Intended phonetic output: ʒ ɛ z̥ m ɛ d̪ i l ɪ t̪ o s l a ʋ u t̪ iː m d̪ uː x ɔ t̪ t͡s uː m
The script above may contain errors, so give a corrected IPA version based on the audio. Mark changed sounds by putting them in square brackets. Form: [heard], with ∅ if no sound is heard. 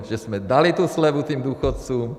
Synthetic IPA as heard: ʒ ɛ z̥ m ɛ d̪ [a] l [i] t̪ [u] s l [ɛ] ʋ u t̪ iː m d̪ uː x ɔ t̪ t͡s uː m